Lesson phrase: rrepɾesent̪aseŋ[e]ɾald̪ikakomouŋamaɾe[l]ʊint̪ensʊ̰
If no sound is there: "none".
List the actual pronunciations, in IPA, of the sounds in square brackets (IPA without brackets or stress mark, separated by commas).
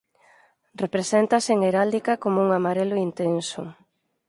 e, l